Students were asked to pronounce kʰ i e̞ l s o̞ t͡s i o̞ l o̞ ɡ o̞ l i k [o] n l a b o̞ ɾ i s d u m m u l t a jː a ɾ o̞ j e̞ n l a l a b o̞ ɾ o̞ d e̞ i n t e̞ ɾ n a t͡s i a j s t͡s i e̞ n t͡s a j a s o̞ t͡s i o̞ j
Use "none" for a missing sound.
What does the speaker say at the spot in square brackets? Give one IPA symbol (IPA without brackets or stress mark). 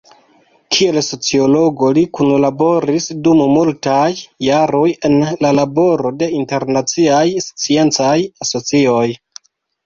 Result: u